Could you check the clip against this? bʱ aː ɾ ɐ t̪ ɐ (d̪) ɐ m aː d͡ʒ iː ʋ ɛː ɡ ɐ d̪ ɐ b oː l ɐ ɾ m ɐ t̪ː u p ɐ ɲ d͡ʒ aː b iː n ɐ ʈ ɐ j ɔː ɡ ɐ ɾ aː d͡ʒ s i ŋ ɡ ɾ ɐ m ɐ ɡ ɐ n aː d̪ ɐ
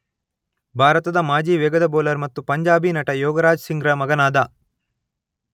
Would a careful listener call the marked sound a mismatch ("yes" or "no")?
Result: no